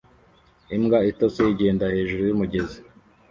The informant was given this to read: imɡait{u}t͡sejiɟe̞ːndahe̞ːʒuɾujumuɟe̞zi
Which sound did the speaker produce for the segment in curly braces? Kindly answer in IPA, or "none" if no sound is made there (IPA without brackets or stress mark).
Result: o